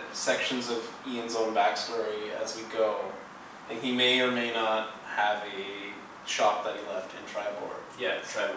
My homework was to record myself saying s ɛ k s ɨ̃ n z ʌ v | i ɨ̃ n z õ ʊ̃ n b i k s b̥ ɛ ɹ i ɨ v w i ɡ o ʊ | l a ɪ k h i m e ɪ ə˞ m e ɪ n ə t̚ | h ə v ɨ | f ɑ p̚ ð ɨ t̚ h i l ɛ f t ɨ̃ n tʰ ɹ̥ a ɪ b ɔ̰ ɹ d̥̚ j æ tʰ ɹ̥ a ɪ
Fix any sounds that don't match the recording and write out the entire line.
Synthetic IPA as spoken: s ɛ k ʃ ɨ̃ n z ʌ v | i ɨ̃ n z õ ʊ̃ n b æ k s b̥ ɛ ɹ i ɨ z w i ɡ o ʊ | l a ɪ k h i m e ɪ ə˞ m e ɪ n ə t̚ | h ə v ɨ | ʃ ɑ p̚ ð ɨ t̚ h i l ɛ f t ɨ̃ n tʰ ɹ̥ a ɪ b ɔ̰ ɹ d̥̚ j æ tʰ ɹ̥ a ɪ